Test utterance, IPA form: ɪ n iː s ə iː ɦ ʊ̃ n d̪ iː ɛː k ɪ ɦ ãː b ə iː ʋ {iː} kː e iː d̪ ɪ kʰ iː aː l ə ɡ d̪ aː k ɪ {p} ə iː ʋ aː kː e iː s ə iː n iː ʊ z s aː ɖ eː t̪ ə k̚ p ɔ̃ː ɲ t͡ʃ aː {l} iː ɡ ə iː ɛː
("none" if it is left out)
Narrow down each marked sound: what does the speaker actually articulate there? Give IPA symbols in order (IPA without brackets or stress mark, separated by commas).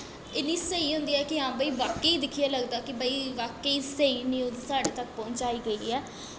aː, b, none